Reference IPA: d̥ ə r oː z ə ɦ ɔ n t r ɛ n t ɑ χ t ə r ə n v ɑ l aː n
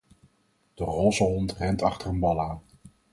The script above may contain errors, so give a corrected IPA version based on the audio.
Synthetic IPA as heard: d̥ ə r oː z ə ɦ ɔ n t r ɛ n t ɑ χ t ə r ə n b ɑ l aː n